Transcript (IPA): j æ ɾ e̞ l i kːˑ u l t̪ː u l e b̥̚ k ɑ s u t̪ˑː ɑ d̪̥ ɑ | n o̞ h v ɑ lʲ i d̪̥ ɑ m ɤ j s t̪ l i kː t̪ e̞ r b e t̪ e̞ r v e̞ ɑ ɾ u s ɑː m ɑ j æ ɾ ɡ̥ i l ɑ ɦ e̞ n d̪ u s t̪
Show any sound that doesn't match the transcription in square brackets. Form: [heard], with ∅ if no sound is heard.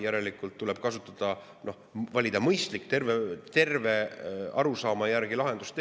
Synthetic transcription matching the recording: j æ ɾ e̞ l i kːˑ u l t̪ː u l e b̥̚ k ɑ s u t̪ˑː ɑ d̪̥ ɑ | n o̞ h v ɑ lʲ i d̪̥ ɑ m ɤ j s t̪ l i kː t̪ e̞ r [v] e t̪ e̞ r v e̞ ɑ ɾ u s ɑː m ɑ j æ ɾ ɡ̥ i l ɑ ɦ e̞ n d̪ u s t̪